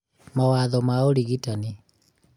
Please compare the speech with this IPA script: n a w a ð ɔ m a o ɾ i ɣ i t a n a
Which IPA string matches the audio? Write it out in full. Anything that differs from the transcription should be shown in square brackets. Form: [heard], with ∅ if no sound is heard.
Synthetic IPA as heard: [m] a w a ð ɔ m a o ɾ i ɣ i t a n [i]

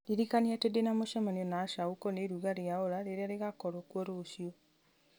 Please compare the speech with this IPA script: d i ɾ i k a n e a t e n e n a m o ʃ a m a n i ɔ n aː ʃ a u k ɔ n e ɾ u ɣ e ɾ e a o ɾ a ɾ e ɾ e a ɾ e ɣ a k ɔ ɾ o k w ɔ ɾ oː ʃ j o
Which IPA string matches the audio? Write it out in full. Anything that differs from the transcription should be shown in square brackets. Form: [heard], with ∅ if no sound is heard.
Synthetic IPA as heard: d i ɾ i k a n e a t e [d] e n a m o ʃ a m a n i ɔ n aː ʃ a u k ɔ n e ɾ u ɣ [a] ɾ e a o ɾ a ɾ e ɾ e a ɾ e ɣ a k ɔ ɾ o k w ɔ ɾ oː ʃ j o

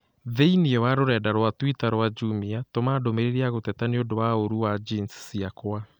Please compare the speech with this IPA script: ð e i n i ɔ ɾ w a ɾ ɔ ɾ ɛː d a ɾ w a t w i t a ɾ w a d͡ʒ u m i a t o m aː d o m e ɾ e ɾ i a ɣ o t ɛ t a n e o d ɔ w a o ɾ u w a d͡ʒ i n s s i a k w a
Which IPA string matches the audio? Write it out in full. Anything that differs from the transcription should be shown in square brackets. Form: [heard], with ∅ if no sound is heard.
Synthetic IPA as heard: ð e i n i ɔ [∅] w a ɾ [o] ɾ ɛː d a ɾ w a t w i t a ɾ w a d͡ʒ u m i a t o m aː d o m e ɾ e ɾ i a ɣ o t ɛ t a n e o d [o] w a o ɾ u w a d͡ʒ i n s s i a k w a

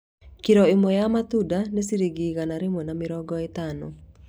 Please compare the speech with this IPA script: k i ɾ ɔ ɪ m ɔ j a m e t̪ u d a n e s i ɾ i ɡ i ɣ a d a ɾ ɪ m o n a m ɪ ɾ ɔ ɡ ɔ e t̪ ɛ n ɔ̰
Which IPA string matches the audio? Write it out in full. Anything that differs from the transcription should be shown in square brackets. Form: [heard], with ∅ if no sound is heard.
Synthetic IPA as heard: k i ɾ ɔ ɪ m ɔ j a m [a] t̪ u d a n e s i ɾ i ɡ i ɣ a [n] a ɾ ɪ m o n a m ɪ ɾ ɔ ɡ ɔ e t̪ [a] n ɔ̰

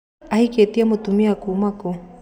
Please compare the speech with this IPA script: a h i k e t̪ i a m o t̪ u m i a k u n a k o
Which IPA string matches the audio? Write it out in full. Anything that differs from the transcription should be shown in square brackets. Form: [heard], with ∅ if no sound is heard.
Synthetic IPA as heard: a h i k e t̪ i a m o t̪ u m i a k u [m] a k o

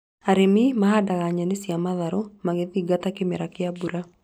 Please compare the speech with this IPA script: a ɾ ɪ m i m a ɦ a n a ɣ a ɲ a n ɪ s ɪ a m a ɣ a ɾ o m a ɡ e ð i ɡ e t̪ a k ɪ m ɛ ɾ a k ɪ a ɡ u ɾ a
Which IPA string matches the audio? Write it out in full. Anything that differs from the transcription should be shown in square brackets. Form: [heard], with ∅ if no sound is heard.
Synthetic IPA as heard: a ɾ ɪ m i m a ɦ a [d] a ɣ a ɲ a n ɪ s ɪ a m a [ð] a ɾ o m a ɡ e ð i ɡ [a] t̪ a k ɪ m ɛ ɾ a k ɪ a [b] u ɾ a

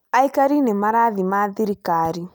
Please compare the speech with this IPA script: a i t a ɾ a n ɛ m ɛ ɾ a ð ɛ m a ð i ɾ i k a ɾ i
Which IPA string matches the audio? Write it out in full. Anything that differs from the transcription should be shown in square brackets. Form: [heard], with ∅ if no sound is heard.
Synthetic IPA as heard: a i [k] a ɾ [i] n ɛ m [a] ɾ a ð [i] m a ð i ɾ i k a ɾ i

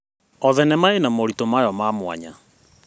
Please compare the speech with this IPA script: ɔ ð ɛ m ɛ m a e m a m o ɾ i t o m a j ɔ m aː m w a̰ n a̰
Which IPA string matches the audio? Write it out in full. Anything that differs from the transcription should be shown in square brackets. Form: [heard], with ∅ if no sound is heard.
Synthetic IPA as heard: ɔ ð ɛ [n] ɛ m a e [n] a m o ɾ i t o m a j ɔ m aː m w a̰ [ɲ] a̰

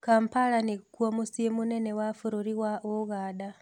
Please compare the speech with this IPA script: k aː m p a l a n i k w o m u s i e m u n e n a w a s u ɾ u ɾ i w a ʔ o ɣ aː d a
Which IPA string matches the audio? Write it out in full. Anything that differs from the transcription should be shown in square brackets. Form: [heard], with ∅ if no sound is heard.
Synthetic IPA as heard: k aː m p a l a n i k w o m u s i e m u n e n [e] w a [f] u ɾ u ɾ i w a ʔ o ɣ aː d a

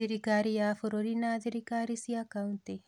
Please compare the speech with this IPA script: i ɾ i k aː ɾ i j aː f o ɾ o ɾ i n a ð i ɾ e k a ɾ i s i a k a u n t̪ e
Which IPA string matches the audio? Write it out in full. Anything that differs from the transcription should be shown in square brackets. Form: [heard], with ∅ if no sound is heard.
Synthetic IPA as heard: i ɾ i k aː ɾ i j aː f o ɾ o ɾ i n a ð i ɾ [i] k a ɾ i s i a k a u n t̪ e

